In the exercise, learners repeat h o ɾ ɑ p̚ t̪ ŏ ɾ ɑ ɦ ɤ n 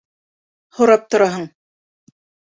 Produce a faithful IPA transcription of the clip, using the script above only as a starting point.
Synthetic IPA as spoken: h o ɾ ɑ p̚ t̪ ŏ ɾ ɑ ɦ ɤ ɴ